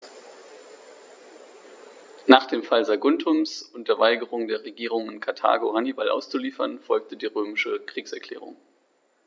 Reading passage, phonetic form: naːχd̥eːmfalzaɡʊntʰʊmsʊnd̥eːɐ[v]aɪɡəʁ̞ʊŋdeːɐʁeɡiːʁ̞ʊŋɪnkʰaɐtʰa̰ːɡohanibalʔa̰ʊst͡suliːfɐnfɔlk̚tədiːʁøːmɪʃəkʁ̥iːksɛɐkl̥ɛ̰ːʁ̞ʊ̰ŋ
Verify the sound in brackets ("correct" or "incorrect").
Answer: correct